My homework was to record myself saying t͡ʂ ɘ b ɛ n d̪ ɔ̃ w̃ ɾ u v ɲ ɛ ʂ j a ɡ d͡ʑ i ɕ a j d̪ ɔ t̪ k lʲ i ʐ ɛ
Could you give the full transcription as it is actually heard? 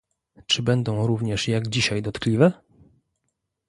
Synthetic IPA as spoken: t͡ʂ ɘ b ɛ n d̪ ɔ̃ w̃ ɾ u v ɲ ɛ ʂ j a ɡ d͡ʑ i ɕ a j d̪ ɔ t̪ k lʲ i v ɛ